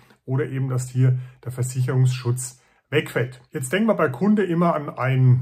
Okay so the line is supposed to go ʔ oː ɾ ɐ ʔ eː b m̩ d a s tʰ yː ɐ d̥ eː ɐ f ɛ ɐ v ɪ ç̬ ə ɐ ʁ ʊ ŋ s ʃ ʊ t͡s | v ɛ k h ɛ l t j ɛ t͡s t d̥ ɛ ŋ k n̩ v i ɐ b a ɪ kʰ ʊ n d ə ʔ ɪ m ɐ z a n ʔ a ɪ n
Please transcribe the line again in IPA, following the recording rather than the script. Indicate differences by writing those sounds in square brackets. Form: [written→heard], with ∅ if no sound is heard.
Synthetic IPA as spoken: ʔ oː ɾ ɐ ʔ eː b m̩ d a s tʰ [yː→iː] ɐ d̥ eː ɐ f ɛ ɐ [v→z] ɪ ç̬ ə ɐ ʁ ʊ ŋ s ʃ ʊ t͡s | v ɛ k [h→f] ɛ l t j ɛ t͡s t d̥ ɛ ŋ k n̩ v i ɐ b a ɪ kʰ ʊ n d ə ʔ ɪ m ɐ [z→∅] a n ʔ a ɪ n